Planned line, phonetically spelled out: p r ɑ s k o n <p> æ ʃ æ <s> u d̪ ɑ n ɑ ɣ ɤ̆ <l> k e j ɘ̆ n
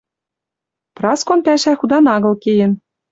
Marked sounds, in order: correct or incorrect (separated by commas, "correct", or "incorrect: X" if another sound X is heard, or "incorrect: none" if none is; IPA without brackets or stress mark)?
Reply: correct, incorrect: x, correct